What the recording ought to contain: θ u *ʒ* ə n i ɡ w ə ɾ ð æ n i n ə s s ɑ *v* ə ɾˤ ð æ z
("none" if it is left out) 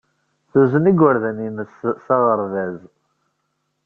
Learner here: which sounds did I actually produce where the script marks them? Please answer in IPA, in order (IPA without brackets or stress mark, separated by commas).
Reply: z, ʁ